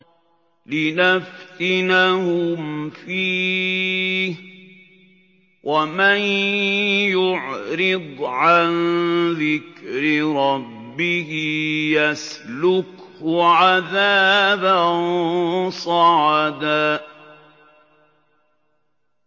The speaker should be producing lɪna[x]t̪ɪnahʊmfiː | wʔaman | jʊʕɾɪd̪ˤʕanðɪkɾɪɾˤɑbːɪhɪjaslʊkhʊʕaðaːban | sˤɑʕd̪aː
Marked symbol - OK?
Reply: no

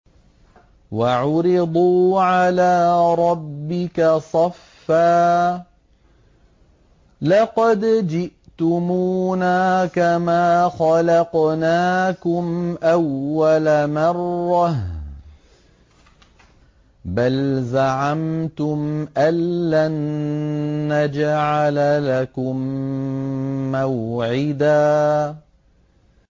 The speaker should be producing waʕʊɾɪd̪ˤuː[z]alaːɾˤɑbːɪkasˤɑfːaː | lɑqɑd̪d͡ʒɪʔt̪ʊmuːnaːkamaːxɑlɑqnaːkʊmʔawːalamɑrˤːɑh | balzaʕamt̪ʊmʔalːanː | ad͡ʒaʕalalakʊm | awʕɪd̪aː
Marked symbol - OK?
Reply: no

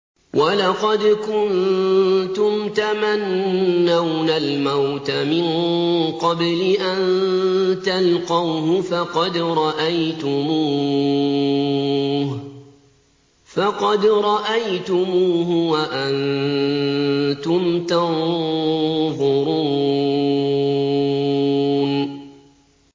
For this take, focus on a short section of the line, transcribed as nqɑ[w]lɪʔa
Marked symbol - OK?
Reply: no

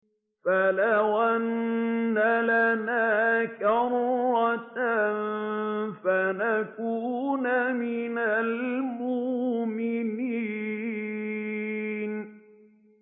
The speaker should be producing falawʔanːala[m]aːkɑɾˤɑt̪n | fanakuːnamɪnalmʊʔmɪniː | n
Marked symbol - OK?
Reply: no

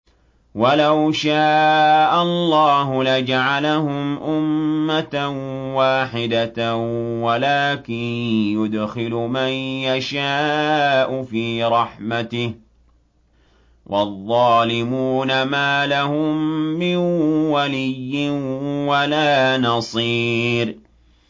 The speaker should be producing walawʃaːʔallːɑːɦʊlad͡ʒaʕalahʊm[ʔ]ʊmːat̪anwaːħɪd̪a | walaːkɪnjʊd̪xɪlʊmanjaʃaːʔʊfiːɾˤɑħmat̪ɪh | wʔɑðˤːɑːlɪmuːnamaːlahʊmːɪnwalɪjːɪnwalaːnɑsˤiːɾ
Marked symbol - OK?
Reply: yes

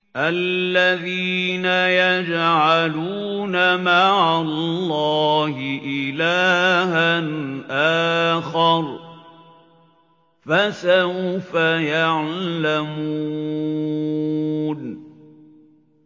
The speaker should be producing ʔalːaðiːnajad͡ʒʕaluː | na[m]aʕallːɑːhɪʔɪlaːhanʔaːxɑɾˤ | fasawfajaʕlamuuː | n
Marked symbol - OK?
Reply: yes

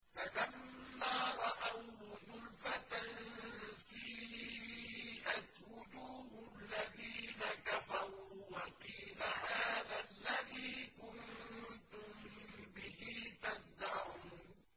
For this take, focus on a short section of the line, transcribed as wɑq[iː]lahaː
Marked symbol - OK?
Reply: yes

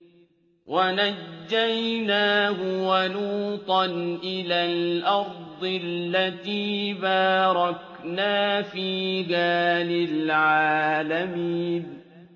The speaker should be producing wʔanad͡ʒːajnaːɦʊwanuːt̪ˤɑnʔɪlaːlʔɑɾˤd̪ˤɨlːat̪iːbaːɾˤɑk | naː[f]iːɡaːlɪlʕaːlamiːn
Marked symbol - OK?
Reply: yes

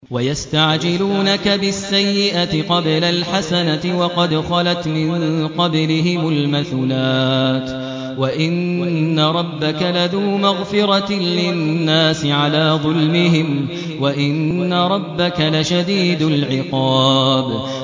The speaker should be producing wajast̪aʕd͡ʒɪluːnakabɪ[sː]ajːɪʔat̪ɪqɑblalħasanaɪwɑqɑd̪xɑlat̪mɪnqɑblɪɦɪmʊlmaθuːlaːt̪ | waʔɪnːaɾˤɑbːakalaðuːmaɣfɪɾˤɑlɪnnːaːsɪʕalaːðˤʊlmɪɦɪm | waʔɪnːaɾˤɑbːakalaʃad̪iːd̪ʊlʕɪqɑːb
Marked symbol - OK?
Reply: yes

